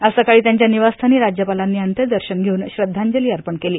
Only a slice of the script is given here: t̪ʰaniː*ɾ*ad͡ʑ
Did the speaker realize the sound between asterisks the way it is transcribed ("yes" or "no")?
yes